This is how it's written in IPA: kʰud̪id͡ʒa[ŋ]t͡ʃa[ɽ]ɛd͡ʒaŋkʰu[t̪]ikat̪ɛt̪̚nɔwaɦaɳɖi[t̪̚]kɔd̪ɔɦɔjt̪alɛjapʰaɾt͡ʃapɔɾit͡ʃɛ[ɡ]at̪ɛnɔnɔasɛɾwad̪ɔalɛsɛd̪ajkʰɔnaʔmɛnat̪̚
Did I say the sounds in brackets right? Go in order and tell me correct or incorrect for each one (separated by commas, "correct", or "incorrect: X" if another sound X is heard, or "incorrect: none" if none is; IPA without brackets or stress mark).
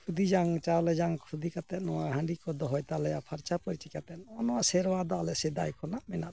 correct, incorrect: l, incorrect: d̪, incorrect: none, incorrect: k